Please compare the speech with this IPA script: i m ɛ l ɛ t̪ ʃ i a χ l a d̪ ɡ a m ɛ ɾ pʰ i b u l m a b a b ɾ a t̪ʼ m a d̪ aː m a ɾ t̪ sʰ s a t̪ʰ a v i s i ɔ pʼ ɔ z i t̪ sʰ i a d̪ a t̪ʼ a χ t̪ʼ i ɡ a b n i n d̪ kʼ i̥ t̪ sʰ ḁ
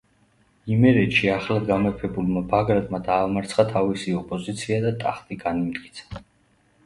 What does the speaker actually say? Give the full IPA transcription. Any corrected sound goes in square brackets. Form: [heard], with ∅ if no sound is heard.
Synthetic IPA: i m ɛ [ɾ] ɛ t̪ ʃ i a χ l a d̪ ɡ a m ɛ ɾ pʰ [ɛ] b u l m a b a [ɡ] ɾ a t̪ʼ m a d̪ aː m a ɾ t̪ sʰ [χ] a t̪ʰ a v i s i ɔ pʼ ɔ z i t̪ sʰ i a d̪ a t̪ʼ a χ t̪ʼ i ɡ a [∅] n i [m] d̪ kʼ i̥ t̪ sʰ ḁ